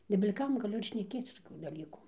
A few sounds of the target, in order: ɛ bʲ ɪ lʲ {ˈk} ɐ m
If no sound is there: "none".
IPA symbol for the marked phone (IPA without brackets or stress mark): k